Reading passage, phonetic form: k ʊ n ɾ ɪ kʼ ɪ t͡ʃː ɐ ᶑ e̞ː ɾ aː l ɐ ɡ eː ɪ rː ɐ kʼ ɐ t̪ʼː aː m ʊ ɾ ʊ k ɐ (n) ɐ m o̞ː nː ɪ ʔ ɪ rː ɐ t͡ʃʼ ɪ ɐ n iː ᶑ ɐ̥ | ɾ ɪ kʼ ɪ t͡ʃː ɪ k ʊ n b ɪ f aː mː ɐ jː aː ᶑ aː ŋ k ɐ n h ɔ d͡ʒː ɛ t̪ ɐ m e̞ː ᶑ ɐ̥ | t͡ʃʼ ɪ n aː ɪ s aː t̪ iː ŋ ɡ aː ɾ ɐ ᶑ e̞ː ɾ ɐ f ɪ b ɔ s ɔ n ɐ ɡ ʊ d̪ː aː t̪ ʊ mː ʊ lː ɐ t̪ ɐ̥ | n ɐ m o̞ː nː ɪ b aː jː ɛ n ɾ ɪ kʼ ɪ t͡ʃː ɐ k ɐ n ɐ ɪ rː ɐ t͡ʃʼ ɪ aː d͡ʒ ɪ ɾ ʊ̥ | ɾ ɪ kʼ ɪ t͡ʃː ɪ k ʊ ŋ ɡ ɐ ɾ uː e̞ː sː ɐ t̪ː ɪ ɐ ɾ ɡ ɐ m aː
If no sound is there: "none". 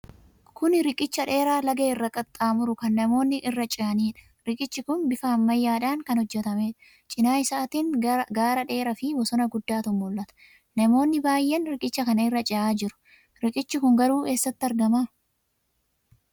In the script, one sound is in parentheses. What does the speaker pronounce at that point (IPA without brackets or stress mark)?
nː